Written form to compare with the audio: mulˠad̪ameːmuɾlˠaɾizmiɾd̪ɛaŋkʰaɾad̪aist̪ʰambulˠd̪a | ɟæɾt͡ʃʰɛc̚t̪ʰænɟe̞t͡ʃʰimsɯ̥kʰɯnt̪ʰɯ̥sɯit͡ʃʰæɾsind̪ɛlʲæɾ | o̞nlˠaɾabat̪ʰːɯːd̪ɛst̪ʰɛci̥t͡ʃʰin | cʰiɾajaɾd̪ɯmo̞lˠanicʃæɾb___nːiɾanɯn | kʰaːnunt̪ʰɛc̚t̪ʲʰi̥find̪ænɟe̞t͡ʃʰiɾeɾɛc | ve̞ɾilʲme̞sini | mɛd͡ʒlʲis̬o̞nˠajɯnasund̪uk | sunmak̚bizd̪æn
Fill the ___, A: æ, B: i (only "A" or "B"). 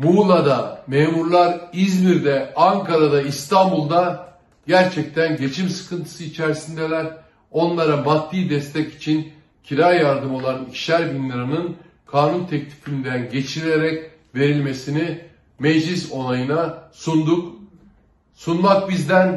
B